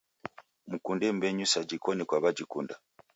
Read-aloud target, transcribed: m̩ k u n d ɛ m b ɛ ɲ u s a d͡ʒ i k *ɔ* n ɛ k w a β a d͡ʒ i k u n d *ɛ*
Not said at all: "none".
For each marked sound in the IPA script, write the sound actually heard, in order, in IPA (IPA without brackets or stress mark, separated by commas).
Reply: ɔ, a